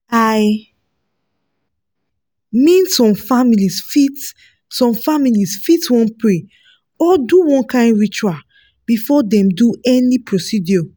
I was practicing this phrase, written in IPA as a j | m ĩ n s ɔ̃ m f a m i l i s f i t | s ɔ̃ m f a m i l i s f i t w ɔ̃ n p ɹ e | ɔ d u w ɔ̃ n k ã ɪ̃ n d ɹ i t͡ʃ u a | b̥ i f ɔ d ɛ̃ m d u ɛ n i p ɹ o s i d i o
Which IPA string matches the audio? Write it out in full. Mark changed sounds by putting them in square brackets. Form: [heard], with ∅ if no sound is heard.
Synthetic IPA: a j | m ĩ n s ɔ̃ m f a m i l i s f i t | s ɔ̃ m f a m i l i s f i t w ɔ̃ n p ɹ e | ɔ d u w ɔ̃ n k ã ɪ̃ n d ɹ i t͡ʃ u a | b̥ i f ɔ d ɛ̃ m d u ɛ n i p ɹ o s i d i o